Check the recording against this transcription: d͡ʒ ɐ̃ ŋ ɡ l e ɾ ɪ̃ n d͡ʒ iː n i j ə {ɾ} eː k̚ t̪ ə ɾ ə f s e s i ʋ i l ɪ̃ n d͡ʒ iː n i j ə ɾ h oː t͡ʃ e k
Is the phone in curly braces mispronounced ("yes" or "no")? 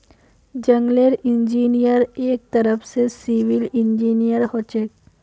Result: no